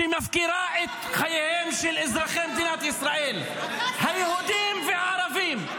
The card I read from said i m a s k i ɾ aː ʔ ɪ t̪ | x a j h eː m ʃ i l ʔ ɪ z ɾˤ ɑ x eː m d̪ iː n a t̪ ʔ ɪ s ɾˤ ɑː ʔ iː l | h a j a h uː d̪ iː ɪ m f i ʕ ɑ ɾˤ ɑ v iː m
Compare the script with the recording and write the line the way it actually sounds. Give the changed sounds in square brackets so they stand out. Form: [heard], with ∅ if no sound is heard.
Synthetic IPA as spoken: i m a [f] k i ɾ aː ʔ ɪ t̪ | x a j h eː m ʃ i l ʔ ɪ z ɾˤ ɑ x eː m d̪ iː n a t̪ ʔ ɪ s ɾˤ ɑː ʔ iː l | h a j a h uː d̪ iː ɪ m f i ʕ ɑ ɾˤ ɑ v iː m